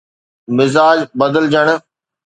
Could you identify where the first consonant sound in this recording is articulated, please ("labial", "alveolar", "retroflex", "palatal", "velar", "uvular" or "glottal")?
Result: labial